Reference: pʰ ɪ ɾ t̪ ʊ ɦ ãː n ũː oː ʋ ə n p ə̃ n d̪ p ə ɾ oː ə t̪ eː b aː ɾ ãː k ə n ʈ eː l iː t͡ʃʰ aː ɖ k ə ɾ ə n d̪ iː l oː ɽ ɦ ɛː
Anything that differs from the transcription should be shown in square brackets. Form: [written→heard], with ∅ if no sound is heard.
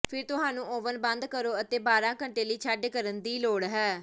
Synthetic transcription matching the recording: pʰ ɪ ɾ t̪ ʊ ɦ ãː n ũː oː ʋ ə n [p→b] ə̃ n d̪ [p→k] ə ɾ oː ə t̪ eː b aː ɾ ãː k ə [n→ɳ] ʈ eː l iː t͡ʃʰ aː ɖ k ə ɾ ə n d̪ iː l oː ɽ ɦ ɛː